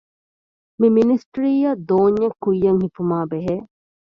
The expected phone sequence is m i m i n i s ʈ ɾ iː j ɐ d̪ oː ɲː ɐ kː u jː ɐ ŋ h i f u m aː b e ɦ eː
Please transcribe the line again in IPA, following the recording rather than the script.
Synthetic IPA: m i m i n i s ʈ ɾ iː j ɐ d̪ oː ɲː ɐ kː u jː ɐ ŋ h i f u m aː b e ɦ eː